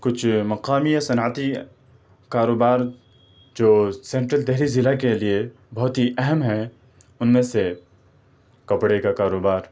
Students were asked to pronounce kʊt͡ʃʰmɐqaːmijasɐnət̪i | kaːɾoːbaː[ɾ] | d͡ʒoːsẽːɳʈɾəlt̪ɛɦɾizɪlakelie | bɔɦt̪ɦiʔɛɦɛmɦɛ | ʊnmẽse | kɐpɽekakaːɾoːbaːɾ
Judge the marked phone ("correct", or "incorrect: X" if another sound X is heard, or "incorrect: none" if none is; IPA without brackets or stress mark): correct